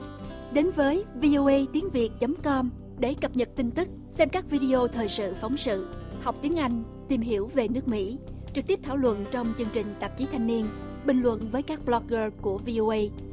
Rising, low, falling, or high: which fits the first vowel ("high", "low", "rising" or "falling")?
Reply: rising